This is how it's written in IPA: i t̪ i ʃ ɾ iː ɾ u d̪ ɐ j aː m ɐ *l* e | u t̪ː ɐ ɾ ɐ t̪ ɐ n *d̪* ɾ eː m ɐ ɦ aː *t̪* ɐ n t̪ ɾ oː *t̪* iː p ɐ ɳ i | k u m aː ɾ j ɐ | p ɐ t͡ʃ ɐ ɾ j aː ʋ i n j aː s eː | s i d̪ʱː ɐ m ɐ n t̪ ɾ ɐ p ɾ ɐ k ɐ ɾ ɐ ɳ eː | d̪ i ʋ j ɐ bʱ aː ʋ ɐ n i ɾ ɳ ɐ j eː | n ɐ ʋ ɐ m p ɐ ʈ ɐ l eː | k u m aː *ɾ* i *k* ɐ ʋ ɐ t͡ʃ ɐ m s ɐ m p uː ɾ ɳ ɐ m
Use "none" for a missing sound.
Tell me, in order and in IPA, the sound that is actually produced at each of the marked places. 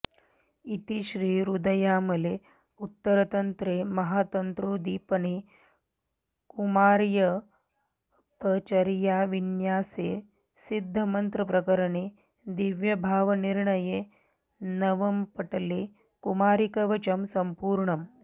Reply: l, t̪, t̪, d̪, ɾ, k

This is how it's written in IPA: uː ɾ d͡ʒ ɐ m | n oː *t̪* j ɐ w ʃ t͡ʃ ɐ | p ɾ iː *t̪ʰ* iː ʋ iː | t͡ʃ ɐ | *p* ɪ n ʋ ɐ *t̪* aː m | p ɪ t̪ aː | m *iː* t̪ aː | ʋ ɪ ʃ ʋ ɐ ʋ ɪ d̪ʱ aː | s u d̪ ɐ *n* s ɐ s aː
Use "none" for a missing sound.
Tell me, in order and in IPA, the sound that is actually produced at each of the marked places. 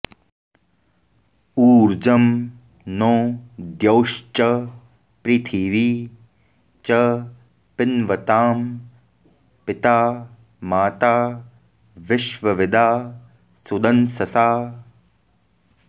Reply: d̪, t̪ʰ, p, t̪, aː, n

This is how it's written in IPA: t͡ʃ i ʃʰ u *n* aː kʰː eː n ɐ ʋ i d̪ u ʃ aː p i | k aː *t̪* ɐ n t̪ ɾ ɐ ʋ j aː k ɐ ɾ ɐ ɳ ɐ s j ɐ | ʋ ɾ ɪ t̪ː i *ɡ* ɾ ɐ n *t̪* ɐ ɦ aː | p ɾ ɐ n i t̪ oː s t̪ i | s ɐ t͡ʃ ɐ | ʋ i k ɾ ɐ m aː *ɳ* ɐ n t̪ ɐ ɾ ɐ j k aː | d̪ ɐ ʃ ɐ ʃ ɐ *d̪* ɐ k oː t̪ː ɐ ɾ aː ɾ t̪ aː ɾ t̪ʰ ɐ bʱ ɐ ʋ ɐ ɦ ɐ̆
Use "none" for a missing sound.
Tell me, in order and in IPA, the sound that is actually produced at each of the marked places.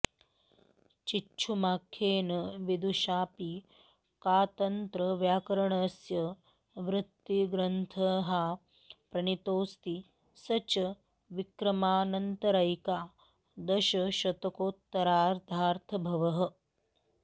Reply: m, t̪, ɡ, t̪ʰ, n, t̪

